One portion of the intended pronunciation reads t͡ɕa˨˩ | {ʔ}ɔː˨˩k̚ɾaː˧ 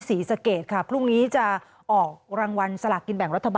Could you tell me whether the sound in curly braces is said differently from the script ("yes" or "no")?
no